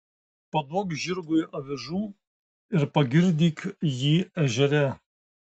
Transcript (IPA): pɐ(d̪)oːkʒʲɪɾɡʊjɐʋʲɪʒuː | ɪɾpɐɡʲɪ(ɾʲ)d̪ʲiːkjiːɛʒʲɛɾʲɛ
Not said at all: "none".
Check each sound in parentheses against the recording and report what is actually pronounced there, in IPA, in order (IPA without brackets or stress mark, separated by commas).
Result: d̪, ɾʲ